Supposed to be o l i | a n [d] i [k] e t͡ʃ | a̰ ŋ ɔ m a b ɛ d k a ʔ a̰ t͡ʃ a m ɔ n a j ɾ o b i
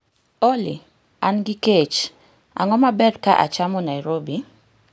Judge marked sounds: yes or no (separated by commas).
no, yes